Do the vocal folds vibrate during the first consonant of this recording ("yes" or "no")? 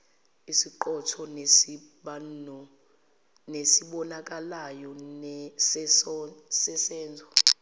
no